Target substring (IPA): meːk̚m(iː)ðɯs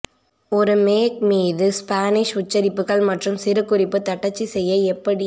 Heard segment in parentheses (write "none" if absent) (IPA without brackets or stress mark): iː